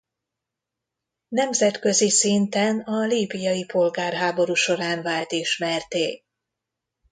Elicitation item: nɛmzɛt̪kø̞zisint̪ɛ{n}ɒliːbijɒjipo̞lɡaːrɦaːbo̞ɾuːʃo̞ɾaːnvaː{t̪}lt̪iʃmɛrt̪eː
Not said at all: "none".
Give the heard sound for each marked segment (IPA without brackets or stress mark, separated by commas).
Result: n, none